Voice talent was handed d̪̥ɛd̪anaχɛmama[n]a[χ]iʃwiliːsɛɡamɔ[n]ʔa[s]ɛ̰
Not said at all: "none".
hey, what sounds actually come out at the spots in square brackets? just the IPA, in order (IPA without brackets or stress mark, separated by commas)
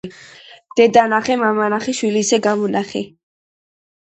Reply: n, χ, n, χ